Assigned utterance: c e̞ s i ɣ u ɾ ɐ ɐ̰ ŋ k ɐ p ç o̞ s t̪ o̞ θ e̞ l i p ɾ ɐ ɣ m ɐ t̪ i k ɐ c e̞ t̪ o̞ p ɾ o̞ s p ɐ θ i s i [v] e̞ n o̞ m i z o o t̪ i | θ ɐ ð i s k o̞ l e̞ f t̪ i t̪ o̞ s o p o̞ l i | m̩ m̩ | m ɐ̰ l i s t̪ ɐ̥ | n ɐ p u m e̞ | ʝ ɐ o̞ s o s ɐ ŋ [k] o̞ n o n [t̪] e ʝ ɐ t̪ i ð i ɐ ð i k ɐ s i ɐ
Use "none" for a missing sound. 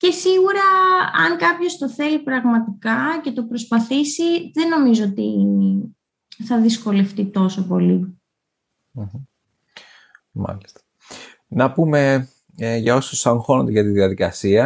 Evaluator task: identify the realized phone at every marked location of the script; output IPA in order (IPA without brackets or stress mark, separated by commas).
ð, x, d̪